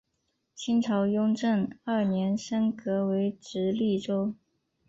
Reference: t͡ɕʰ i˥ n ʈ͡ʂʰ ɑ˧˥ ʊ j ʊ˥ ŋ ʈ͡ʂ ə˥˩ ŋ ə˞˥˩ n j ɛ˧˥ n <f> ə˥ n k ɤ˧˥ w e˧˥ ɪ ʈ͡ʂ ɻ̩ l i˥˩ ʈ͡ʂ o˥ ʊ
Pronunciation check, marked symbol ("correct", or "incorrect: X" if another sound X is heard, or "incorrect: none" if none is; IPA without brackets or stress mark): incorrect: ʂ